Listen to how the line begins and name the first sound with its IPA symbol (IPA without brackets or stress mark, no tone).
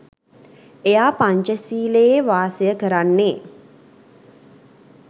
e